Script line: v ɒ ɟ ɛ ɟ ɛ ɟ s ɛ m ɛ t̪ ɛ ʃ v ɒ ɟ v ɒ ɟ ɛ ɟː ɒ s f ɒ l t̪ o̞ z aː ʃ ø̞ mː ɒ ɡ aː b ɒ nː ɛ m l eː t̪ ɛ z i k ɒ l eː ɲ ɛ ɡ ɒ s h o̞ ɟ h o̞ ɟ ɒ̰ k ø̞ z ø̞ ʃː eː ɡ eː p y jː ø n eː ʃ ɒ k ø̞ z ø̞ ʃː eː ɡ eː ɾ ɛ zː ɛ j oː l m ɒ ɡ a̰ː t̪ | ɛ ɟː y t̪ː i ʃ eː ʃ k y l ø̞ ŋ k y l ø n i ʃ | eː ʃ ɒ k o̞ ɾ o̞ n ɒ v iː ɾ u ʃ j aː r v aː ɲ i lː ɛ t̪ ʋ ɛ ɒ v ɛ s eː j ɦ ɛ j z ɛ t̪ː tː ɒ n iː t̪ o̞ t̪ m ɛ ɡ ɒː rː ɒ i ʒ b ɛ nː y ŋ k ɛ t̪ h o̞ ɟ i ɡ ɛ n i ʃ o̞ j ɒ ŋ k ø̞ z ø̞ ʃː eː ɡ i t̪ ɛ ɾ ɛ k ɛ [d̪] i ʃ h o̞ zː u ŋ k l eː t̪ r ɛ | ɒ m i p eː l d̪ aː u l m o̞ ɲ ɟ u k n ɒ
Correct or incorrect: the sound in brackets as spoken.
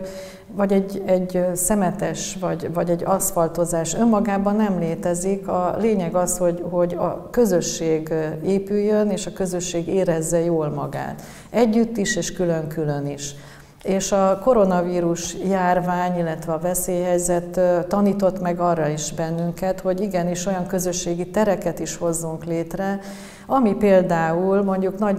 incorrect: t̪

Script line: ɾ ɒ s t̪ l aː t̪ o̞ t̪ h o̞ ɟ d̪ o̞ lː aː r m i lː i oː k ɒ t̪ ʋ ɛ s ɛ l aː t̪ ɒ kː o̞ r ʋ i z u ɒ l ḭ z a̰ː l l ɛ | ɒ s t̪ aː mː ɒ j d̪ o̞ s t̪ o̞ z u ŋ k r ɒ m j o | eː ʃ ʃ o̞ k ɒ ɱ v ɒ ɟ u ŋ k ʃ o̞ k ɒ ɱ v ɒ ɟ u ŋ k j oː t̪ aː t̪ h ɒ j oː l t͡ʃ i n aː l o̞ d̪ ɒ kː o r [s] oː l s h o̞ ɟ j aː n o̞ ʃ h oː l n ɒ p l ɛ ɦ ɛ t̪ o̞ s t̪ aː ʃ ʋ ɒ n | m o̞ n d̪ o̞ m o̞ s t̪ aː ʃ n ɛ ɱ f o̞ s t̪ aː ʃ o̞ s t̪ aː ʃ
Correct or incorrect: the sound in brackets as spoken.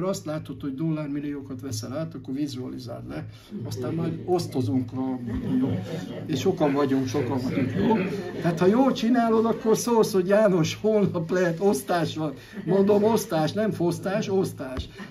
correct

